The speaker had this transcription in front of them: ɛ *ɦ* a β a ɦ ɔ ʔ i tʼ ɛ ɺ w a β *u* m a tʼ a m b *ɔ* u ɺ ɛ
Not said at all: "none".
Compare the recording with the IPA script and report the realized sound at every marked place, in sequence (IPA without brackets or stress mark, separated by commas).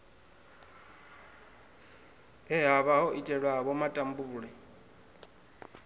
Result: ɦ, ɔ, u